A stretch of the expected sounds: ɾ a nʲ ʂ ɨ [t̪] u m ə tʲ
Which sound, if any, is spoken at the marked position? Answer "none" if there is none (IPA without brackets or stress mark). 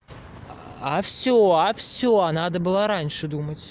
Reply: d̪